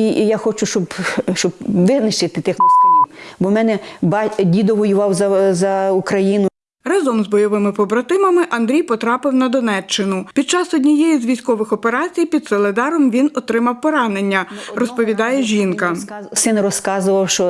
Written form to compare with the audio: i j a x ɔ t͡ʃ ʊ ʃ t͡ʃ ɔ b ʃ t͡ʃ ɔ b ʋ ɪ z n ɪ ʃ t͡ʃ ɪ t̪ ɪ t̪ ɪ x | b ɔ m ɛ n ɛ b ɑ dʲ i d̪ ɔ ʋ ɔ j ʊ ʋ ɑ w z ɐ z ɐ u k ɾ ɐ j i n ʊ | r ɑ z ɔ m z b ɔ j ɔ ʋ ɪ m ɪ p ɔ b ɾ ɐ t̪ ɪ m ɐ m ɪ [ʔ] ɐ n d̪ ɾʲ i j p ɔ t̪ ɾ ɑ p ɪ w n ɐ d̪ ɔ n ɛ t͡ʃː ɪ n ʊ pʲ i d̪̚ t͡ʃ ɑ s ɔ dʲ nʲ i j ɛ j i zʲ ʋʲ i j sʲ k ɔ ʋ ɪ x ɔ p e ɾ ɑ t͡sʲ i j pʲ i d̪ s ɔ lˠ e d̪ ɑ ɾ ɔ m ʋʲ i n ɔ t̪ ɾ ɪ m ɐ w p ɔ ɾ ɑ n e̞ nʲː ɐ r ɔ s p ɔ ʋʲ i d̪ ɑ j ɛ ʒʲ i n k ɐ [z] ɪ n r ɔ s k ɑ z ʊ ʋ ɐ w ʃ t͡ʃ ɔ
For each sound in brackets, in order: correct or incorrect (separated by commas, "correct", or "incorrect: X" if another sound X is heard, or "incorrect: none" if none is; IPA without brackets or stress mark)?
correct, incorrect: s